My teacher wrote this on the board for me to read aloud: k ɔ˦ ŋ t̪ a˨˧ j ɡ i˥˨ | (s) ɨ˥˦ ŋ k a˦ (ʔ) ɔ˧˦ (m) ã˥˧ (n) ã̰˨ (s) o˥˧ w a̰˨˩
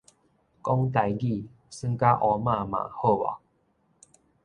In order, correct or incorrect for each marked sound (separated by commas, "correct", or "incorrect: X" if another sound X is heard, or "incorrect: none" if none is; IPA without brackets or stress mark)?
correct, correct, correct, incorrect: m, incorrect: h